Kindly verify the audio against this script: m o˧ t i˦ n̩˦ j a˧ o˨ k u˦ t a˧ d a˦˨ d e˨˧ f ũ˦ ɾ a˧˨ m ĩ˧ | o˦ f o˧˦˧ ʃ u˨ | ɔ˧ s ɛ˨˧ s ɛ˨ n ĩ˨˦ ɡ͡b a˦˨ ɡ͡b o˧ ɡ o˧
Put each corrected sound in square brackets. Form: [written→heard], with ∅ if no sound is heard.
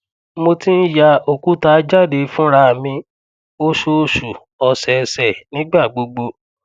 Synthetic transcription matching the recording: m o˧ t i˦ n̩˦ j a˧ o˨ k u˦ t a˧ [d→d͡ʒ] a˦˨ d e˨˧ f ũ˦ ɾ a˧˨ m ĩ˧ | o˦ [f→ʃ] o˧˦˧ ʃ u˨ | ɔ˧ s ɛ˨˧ s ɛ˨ n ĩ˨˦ ɡ͡b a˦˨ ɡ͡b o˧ [ɡ→ɡ͡b] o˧